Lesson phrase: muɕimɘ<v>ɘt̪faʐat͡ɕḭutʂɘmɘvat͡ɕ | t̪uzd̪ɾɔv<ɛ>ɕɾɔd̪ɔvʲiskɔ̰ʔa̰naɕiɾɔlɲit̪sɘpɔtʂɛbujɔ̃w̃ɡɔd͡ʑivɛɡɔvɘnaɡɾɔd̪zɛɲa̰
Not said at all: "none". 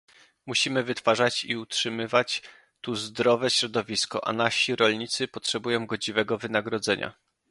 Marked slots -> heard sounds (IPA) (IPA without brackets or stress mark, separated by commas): v, ɛ